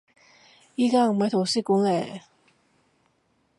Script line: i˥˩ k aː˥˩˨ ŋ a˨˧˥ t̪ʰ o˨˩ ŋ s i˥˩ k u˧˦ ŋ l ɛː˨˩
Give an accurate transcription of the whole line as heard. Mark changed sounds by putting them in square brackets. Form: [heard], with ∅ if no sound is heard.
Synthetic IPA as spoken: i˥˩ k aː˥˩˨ [m] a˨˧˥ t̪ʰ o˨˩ [∅] s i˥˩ k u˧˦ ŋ l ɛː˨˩